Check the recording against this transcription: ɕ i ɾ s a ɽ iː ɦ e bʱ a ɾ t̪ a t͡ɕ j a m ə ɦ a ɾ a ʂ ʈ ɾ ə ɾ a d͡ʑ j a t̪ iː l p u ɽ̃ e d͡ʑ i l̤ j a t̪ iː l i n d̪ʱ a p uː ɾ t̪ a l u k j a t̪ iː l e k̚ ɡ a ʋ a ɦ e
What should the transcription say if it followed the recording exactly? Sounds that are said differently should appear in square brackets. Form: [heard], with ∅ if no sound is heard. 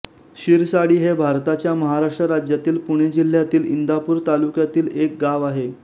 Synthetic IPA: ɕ i ɾ s a ɽ iː ɦ e bʱ a ɾ t̪ a t͡ɕ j a m ə ɦ a ɾ a ʂ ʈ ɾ ə ɾ a d͡ʑ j a t̪ iː l p u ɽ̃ e d͡ʑ i l̤ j a t̪ iː l i n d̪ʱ a p uː ɾ t̪ a l u k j a t̪ iː l e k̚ ɡ a ʋ a ɦ e